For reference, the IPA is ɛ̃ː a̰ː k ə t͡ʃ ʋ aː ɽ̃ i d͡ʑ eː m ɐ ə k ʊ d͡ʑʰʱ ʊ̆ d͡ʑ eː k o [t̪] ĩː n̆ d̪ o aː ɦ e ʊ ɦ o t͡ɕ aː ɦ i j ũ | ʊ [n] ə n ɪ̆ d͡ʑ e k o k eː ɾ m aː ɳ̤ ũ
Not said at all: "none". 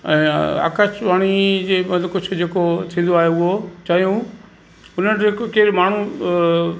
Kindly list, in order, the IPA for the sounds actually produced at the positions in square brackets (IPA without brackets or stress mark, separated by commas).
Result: t̪ʰ, n